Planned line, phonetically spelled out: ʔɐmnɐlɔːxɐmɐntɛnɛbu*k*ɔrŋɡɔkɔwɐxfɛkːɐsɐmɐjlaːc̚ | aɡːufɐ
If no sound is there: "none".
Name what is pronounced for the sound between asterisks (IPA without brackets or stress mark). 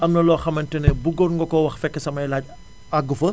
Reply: ɡ